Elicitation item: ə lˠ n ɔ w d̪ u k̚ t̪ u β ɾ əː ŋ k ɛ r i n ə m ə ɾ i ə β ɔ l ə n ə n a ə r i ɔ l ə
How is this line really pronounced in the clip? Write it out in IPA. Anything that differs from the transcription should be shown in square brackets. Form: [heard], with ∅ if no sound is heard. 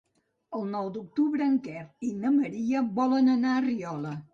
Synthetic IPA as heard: ə lˠ n ɔ w d̪ u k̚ t̪ u β ɾ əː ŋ k ɛ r i n ə m ə ɾ i ə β ɔ l ə n ə n a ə r i ɔ l ə